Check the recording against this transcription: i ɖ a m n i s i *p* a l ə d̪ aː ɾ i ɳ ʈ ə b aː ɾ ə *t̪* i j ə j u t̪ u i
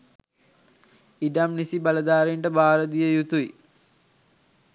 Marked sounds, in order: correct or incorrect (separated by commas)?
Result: incorrect, incorrect